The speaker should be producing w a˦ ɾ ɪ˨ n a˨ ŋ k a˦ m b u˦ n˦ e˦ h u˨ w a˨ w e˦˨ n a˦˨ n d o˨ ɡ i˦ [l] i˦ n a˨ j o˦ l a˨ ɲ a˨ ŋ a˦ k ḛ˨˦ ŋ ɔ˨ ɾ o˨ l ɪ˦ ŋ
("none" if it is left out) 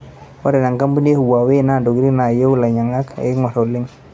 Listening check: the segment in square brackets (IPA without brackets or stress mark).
ɾ